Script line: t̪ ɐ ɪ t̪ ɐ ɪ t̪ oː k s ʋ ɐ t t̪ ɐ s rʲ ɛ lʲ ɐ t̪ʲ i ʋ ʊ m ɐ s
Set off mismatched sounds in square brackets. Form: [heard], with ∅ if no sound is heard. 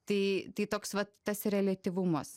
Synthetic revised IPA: t̪ ɐ ɪ t̪ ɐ ɪ t̪ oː k s ʋ ɐ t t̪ ɐ s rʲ ɛ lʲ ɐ t̪ʲ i ʋ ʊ m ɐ s